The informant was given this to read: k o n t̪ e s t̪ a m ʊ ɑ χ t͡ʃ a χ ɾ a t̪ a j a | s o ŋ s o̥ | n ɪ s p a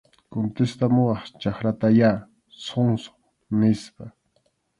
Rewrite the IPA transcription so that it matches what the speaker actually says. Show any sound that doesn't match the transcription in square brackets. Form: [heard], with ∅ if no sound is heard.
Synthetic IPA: k o n t̪ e s t̪ a m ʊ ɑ χ t͡ʃ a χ ɾ a t̪ a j a | s o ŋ s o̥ | n ɪ s p a